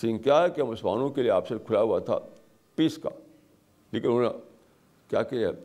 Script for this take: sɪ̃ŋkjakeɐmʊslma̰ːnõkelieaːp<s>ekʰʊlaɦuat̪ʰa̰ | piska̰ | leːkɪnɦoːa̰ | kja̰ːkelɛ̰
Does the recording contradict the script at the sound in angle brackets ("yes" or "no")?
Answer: no